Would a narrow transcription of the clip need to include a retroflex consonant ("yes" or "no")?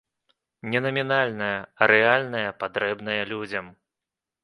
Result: no